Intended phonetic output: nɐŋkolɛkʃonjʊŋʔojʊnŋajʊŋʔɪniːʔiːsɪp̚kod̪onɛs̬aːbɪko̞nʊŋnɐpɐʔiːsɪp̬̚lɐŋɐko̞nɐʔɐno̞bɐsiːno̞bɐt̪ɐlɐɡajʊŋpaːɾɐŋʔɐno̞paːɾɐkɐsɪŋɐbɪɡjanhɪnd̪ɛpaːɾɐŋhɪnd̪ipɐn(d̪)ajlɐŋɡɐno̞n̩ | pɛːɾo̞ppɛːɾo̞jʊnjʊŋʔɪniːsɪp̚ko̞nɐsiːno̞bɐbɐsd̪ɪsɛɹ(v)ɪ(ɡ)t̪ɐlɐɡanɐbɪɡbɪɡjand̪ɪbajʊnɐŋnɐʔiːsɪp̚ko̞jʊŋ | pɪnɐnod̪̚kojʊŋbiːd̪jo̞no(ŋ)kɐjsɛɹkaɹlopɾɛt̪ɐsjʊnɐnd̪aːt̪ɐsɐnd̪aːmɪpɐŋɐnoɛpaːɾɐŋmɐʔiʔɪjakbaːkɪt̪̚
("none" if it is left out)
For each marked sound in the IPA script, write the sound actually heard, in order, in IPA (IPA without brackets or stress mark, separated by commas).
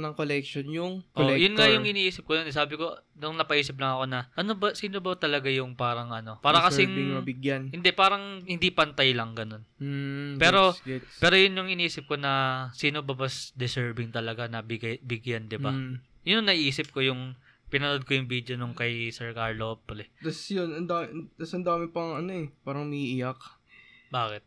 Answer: t̪, b, ŋ, ŋ